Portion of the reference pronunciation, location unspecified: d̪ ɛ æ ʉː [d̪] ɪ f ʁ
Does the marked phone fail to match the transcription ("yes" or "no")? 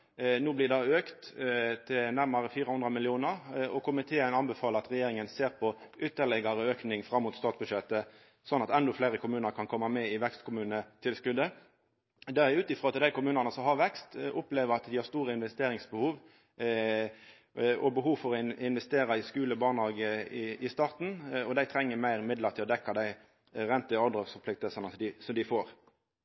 yes